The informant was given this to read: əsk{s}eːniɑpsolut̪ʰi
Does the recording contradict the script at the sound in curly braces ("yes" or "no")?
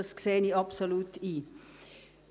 no